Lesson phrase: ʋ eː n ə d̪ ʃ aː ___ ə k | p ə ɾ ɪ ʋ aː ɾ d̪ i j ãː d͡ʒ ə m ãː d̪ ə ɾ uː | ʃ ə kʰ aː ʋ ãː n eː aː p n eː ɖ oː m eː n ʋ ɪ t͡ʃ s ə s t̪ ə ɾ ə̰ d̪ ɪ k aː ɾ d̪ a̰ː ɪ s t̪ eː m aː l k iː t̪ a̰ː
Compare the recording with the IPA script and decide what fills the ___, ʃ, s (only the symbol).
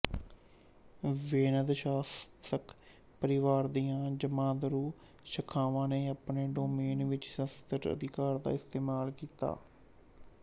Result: s